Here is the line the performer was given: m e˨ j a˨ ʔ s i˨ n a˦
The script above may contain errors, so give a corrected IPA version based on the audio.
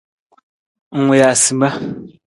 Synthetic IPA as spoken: ŋ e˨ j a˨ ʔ s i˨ m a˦